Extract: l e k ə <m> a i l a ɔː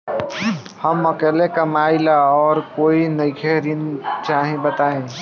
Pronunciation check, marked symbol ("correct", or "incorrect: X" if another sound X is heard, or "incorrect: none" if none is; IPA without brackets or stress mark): correct